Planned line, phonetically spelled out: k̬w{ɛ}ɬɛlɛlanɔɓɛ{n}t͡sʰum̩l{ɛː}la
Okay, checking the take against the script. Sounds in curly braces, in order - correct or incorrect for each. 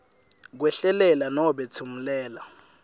correct, incorrect, correct

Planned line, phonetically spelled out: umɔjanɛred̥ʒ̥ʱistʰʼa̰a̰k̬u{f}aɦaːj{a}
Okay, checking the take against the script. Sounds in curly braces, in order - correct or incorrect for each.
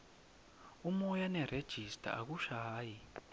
incorrect, incorrect

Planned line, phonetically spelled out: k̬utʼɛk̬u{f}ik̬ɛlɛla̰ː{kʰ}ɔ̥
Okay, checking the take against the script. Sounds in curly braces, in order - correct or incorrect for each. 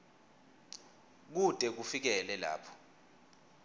correct, incorrect

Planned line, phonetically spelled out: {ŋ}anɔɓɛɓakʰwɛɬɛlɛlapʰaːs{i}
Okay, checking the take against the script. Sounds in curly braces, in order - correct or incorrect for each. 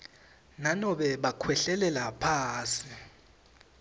incorrect, correct

